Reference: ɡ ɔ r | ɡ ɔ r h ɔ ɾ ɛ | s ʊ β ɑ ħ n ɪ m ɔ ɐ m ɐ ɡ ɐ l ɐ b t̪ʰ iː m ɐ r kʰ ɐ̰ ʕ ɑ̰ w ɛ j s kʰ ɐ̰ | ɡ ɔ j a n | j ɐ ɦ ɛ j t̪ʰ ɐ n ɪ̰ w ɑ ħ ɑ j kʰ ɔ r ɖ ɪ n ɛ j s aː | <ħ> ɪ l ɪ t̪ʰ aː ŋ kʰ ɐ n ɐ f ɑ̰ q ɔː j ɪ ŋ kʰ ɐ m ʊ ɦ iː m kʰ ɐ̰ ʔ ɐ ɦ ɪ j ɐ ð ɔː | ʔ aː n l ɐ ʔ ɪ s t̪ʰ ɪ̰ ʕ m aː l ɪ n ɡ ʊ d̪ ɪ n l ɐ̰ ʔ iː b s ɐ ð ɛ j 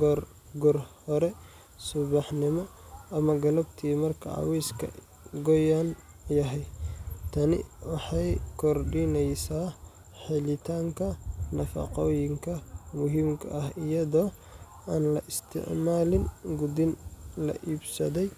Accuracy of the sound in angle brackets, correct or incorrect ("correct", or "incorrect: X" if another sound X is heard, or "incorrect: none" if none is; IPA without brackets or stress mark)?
correct